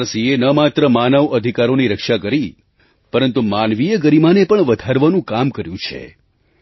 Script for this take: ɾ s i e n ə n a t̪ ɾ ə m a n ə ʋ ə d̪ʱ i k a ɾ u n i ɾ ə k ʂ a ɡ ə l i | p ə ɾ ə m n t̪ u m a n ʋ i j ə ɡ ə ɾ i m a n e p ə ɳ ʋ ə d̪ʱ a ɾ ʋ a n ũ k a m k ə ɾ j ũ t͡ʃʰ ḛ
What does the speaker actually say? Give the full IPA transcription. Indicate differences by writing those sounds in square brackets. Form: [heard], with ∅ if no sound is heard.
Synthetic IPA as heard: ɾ s i e n ə [m] a t̪ ɾ ə m a n ə ʋ ə d̪ʱ i k a ɾ [o] n i ɾ ə k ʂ a [k] ə [ɾ] i | p ə ɾ ə [∅] n t̪ u m a n ʋ i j ə ɡ ə ɾ i m a n e p ə ɳ ʋ ə d̪ʱ a ɾ ʋ a n ũ k a m k ə ɾ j ũ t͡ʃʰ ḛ